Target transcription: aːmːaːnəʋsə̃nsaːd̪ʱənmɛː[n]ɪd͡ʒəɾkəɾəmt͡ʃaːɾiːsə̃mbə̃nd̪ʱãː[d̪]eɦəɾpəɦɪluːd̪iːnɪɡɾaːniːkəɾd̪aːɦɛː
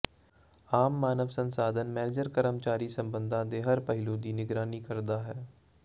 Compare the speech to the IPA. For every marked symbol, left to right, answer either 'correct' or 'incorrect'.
correct, correct

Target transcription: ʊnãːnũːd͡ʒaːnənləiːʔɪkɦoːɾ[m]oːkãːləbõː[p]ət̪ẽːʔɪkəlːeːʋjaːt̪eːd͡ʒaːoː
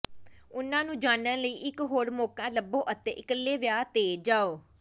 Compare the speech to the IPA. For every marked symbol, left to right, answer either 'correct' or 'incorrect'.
correct, incorrect: ʔ

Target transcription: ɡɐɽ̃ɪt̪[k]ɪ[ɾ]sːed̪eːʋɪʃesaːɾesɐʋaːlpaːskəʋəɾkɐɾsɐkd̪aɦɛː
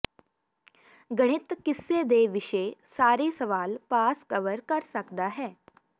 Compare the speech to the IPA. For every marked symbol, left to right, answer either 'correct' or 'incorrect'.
correct, incorrect: none

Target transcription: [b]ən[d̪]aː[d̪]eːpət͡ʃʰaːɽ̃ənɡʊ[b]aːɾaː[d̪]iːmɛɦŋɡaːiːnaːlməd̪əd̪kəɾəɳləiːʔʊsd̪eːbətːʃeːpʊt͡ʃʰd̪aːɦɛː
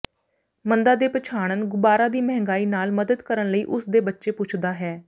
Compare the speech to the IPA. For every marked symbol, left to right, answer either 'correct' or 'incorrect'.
incorrect: m, correct, correct, correct, correct

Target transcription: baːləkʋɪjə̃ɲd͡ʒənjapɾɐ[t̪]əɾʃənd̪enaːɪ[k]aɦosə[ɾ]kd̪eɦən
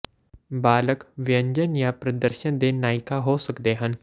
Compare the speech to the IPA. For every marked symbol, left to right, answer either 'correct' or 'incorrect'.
incorrect: d̪, correct, incorrect: none

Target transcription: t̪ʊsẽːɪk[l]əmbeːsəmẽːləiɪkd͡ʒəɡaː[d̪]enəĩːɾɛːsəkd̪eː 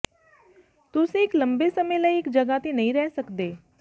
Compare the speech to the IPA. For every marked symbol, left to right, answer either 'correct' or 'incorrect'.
correct, incorrect: t̪

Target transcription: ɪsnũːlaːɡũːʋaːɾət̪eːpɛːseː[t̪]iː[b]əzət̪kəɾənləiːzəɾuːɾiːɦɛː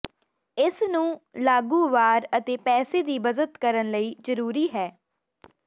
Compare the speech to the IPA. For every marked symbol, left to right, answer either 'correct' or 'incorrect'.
incorrect: d̪, correct

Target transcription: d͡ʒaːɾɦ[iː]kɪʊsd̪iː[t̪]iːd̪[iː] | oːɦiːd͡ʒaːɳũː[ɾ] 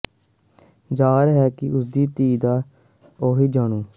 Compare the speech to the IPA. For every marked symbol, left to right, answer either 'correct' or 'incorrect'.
incorrect: ɛː, correct, incorrect: aː, incorrect: none

